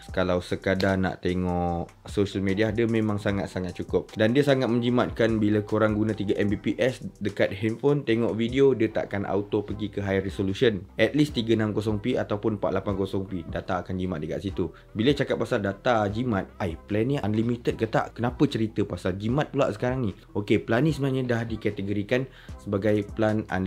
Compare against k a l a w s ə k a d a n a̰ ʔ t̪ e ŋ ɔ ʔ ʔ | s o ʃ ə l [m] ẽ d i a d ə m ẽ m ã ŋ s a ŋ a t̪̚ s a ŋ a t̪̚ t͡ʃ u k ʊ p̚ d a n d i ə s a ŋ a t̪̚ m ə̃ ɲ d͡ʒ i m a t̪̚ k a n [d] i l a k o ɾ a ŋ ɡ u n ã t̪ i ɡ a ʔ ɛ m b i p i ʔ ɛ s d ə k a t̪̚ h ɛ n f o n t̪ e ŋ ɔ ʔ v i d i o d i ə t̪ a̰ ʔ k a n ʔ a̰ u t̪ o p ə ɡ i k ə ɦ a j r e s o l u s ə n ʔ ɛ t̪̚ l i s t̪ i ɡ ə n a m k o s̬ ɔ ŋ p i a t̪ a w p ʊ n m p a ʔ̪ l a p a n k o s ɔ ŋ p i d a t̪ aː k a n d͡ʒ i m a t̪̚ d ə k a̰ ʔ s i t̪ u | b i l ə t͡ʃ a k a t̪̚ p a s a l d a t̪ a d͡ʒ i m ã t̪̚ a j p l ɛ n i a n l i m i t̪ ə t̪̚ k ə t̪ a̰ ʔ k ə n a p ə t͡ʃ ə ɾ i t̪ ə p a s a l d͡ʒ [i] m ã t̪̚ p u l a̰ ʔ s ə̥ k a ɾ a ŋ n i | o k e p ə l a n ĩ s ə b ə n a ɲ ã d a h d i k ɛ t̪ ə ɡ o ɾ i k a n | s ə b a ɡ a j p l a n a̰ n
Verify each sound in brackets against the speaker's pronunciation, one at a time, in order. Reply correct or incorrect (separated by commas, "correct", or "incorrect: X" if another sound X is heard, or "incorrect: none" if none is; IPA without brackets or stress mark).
correct, incorrect: b, correct